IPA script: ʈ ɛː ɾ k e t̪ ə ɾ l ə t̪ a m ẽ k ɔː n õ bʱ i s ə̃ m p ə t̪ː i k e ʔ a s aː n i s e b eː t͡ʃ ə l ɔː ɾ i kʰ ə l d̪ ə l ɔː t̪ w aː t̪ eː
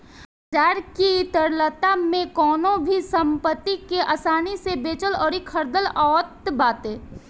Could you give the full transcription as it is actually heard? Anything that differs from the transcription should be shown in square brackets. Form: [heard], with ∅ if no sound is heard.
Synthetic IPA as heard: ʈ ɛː ɾ k [i] t̪ ə ɾ l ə t̪ a m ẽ k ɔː n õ bʱ i s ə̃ m p ə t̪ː i k e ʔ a s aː n i s e b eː t͡ʃ ə l ɔː ɾ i kʰ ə [ɾ] d̪ ə l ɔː t̪ [b] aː t̪ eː